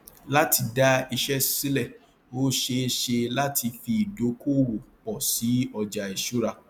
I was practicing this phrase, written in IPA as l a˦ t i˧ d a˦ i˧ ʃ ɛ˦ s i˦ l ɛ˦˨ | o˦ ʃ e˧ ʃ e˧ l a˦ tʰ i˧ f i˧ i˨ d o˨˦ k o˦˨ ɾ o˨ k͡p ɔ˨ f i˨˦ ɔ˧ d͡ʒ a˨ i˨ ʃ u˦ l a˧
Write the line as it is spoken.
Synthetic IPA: l a˦ t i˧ d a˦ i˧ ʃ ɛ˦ s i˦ l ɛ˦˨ | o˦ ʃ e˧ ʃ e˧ l a˦ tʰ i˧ f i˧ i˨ d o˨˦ k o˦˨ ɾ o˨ k͡p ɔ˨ s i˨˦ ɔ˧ d͡ʒ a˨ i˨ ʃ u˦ ɾ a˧